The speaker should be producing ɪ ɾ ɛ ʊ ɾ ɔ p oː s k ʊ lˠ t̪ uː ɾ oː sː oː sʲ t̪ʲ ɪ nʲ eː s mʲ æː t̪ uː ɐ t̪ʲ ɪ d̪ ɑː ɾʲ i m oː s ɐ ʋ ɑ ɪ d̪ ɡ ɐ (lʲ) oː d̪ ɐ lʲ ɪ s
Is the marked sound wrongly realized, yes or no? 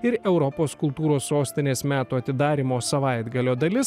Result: no